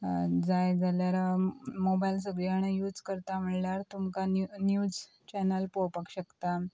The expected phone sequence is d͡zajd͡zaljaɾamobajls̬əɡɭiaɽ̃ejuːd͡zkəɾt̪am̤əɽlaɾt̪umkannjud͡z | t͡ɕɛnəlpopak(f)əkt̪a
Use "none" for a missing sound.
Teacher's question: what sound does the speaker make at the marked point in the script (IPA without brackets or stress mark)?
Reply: ɕ